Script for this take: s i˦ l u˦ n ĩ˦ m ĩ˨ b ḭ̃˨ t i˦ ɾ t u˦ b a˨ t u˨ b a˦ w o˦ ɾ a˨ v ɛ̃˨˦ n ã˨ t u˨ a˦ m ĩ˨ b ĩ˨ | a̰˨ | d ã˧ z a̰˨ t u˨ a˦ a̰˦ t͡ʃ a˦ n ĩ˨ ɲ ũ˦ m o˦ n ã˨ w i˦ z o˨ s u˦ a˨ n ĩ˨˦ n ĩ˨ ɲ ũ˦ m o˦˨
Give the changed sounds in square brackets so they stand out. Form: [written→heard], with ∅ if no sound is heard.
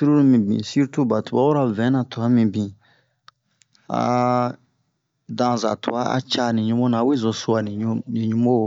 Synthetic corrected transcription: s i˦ [l→ɾ] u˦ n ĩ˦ m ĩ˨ b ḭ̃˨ [t→s] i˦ ɾ t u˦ b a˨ t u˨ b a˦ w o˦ ɾ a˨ v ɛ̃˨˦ n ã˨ t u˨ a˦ m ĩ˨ b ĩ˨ | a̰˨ | d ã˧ z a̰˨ t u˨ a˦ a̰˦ t͡ʃ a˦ n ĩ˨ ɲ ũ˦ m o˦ n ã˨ w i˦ z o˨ s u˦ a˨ n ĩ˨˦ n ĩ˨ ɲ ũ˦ m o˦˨